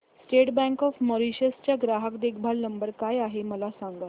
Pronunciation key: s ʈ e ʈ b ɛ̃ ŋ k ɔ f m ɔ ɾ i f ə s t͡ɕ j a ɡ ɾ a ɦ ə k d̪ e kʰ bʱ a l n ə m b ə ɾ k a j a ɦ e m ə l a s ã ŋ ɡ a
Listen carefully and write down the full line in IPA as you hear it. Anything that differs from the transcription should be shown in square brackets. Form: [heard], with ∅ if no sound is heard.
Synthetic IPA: s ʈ e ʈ b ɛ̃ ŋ k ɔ f m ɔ ɾ i [ɕ] ə s t͡ɕ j a ɡ ɾ a ɦ ə k d̪ e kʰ bʱ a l n ə m b ə ɾ k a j a ɦ e m ə l a s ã ŋ ɡ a